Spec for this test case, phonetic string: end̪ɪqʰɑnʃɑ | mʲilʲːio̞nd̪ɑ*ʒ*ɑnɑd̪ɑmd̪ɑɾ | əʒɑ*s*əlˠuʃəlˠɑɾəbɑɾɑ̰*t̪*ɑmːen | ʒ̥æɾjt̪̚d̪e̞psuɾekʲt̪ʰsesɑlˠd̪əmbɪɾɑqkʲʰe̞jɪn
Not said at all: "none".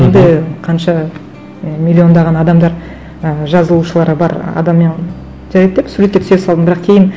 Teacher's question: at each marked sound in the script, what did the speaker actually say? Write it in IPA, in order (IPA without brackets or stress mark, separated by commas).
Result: ʁ, z, d̪